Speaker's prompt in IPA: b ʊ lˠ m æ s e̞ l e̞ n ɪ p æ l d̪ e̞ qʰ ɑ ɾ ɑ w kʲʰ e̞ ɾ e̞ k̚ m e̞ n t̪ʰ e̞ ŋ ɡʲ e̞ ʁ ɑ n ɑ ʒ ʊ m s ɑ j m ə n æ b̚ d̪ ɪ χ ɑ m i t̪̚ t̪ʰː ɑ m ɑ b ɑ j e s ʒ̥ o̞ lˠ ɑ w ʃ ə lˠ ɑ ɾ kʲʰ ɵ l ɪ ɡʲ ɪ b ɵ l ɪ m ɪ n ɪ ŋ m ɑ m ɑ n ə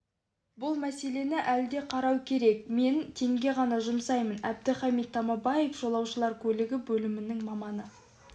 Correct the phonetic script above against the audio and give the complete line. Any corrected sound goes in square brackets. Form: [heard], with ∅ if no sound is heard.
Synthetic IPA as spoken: b ʊ lˠ m æ s e̞ l e̞ n ɪ [ʔ] æ l d̪ e̞ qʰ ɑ ɾ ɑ w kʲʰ e̞ ɾ e̞ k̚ m e̞ n t̪ʰ e̞ ŋ ɡʲ e̞ ʁ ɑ n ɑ ʒ ʊ m s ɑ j m ə n æ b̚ d̪ ɪ χ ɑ m i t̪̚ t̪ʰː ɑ m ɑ b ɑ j e [f] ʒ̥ o̞ lˠ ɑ w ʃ ə lˠ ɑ ɾ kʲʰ ɵ l ɪ ɡʲ ɪ b ɵ l ɪ m ɪ n ɪ ŋ m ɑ m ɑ n ə

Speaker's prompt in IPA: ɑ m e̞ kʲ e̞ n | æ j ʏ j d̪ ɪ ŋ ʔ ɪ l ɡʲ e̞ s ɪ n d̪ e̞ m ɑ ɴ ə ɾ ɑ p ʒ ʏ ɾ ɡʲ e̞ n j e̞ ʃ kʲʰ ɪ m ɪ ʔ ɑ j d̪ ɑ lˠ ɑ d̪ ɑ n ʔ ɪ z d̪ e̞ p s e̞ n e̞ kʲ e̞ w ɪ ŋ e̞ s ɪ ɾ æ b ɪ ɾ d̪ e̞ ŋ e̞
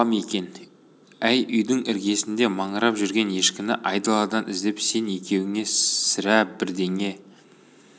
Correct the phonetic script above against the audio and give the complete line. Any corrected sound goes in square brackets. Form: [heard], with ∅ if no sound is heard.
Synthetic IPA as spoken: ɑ m e̞ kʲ e̞ n | æ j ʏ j d̪ ɪ ŋ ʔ ɪ [ɾ] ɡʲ e̞ s ɪ n d̪ e̞ m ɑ ɴ ə ɾ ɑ p ʒ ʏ ɾ ɡʲ e̞ n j e̞ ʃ [kʲ] ɪ m ɪ ʔ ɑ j d̪ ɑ lˠ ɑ d̪ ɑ n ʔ ɪ z d̪ e̞ p s e̞ n e̞ kʲ e̞ w ɪ ŋ e̞ s ɪ ɾ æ b ɪ ɾ d̪ e̞ ŋ e̞

